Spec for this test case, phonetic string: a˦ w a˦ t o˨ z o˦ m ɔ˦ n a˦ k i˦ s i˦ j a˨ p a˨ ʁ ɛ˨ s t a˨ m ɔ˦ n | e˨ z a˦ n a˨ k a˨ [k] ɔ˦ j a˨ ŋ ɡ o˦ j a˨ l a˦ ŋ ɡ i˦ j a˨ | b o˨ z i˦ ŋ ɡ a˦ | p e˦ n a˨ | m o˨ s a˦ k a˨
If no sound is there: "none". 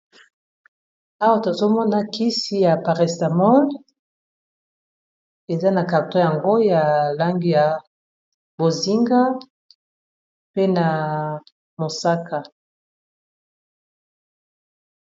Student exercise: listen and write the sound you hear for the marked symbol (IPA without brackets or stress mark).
t